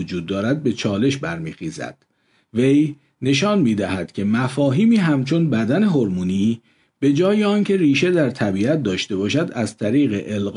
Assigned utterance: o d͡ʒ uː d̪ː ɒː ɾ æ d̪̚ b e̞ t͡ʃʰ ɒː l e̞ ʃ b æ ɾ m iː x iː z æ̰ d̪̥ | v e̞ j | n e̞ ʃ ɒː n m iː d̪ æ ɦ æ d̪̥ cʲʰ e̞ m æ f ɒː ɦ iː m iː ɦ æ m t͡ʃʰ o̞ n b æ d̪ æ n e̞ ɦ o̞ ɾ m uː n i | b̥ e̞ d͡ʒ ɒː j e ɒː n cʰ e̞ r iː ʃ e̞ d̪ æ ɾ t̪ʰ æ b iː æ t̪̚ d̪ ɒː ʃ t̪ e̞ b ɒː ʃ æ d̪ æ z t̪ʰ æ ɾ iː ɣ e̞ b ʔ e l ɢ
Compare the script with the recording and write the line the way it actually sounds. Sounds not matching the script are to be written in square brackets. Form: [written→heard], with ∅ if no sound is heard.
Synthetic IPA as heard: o d͡ʒ uː d̪ː ɒː ɾ æ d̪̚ b e̞ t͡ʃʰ ɒː l e̞ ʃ b æ ɾ m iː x iː z æ̰ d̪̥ | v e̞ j | n e̞ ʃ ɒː n m iː d̪ æ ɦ æ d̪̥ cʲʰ e̞ m æ f ɒː ɦ iː m iː ɦ æ m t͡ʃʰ o̞ n b æ d̪ æ n e̞ ɦ o̞ ɾ m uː n i | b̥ e̞ d͡ʒ ɒː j e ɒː n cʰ e̞ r iː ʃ e̞ d̪ æ ɾ t̪ʰ æ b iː æ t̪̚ d̪ ɒː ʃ t̪ e̞ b ɒː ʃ æ d̪ æ z t̪ʰ æ ɾ iː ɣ e̞ [b→∅] ʔ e l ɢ